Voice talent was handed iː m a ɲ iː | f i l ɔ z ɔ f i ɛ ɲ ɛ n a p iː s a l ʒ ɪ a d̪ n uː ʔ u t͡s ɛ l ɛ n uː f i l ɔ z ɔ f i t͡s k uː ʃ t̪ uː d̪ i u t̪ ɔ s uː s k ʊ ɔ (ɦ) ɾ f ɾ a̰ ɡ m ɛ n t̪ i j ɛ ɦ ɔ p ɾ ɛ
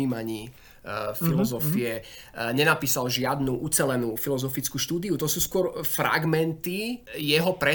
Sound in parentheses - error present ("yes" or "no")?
yes